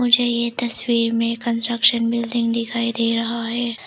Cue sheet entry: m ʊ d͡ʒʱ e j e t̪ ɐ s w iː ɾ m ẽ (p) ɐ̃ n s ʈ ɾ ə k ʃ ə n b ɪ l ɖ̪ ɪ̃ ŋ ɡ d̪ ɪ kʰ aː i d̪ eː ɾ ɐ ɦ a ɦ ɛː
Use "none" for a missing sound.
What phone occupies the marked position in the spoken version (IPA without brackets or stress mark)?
k